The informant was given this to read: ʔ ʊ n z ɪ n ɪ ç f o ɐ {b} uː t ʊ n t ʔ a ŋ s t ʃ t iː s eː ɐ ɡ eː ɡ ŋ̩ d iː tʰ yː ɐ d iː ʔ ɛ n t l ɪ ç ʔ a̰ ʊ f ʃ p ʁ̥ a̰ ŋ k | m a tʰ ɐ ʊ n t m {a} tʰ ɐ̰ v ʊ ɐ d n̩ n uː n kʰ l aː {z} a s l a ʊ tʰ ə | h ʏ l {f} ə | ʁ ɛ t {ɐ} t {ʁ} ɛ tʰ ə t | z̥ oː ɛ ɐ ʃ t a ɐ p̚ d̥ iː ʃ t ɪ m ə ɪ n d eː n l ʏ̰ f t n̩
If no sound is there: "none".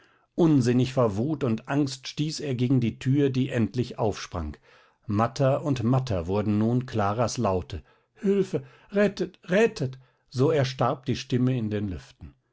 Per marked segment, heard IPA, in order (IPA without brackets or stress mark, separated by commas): v, a, ʁ, f, ə, ʁ